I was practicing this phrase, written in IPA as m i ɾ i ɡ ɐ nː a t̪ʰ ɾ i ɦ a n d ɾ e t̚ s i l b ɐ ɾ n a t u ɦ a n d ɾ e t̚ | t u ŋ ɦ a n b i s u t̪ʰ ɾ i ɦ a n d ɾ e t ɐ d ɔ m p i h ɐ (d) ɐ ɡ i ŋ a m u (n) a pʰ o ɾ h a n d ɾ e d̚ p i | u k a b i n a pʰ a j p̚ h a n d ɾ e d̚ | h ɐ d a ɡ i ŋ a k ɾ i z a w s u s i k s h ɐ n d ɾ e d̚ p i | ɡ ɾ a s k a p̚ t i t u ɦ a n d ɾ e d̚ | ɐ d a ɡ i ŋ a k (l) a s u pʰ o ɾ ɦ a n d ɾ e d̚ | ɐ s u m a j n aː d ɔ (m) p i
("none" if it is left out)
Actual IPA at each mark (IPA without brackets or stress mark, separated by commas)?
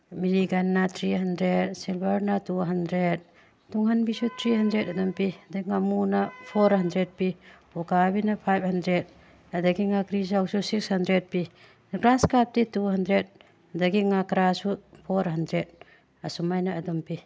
d, n, ɾ, m